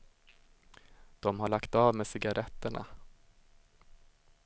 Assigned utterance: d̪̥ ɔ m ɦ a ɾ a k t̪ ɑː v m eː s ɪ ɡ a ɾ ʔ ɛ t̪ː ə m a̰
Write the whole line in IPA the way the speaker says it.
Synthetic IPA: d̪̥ ɔ m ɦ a ɭ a k t̪ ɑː v m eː s ɪ ɡ a ɾ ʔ ɛ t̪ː ə ɳ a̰